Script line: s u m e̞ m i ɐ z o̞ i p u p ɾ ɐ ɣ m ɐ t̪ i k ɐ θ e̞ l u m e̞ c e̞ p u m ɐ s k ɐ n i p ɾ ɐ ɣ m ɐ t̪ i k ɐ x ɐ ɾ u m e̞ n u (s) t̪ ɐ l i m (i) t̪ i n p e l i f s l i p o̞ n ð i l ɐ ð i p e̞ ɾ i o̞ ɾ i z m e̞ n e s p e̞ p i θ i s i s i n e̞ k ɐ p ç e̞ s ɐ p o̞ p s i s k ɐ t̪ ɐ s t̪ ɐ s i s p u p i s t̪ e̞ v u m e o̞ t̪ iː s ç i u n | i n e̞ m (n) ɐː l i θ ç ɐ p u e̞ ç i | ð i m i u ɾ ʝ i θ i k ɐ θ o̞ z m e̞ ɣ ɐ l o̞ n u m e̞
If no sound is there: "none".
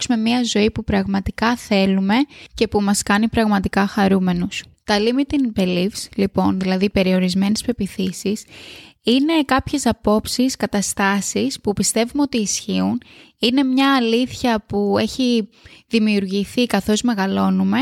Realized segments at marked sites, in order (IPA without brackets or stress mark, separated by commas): s, i, ɲ